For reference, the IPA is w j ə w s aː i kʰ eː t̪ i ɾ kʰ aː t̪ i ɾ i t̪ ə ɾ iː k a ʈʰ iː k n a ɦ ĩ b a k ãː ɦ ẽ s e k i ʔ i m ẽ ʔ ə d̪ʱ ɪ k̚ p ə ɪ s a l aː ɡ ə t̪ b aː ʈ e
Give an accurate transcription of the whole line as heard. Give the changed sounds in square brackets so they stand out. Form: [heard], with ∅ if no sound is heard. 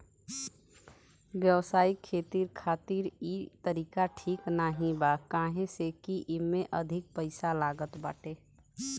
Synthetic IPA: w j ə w s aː i kʰ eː t̪ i ɾ kʰ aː t̪ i ɾ i t̪ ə ɾ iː k a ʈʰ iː k n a ɦ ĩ b a k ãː ɦ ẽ s e k i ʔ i m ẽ ʔ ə d̪ʱ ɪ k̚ p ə ɪ s a l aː ɡ ə t̪ b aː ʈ e